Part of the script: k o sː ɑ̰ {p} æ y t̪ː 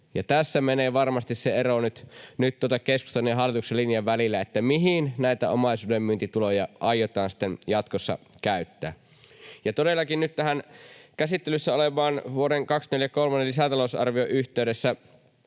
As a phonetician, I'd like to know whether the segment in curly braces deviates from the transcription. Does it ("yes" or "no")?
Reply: yes